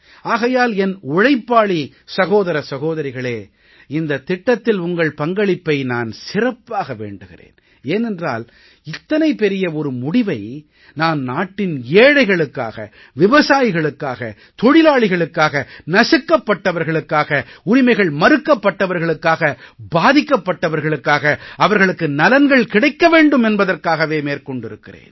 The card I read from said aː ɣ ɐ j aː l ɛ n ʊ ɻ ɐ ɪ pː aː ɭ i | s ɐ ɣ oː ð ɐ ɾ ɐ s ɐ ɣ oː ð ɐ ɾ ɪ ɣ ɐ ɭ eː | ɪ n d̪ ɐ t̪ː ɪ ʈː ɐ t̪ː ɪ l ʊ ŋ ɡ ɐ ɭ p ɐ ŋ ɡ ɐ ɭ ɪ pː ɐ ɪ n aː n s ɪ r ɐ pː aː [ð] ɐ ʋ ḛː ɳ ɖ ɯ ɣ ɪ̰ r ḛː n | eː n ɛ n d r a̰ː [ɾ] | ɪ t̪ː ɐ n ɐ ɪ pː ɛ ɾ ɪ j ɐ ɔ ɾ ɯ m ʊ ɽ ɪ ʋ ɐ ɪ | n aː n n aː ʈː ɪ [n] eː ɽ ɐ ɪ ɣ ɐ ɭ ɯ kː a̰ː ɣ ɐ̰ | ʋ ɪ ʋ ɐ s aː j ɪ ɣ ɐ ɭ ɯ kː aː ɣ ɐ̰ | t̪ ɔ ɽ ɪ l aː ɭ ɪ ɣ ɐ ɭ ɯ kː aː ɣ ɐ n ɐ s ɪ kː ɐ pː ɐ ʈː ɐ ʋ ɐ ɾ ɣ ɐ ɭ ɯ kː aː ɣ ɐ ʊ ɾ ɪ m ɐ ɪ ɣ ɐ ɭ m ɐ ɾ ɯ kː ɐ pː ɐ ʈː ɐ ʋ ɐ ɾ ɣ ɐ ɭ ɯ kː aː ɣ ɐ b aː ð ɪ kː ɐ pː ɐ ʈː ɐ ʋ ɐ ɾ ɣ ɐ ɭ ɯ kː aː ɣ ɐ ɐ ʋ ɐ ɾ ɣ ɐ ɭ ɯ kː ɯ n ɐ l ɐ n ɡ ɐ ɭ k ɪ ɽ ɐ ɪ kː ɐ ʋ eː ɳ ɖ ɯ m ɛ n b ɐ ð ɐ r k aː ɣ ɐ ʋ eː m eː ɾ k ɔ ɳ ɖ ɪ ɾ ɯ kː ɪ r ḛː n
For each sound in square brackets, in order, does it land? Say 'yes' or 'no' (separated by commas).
no, no, yes